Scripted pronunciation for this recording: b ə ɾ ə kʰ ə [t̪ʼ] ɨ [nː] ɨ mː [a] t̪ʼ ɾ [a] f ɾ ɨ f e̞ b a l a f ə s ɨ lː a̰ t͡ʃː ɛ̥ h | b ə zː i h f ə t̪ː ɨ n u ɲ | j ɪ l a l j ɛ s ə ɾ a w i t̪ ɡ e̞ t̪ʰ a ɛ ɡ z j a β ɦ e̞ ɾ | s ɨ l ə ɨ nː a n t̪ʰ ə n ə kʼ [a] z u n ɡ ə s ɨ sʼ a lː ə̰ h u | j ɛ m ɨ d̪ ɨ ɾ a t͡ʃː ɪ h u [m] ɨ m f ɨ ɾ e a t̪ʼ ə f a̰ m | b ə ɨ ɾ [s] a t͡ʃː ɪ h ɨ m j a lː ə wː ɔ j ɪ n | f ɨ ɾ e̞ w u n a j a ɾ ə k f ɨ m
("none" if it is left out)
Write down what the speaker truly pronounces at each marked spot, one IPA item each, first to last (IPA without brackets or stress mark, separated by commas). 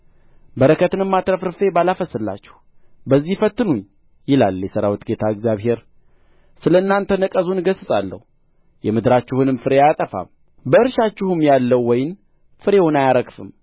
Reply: t̪, n, a, ə, ə, n, ʃ